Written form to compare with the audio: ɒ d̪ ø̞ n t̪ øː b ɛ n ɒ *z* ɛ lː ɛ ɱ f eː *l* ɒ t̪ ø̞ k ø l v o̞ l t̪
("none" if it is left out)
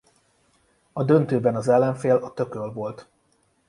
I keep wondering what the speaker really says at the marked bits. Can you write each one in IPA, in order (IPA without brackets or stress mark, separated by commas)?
z, l